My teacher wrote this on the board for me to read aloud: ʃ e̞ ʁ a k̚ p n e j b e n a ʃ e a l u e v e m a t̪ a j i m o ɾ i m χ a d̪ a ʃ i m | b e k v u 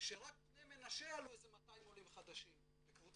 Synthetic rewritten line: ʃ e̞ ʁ a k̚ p n e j m e n a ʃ e a l u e z e m a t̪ a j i m o l i m χ a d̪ a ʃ i m | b e k v u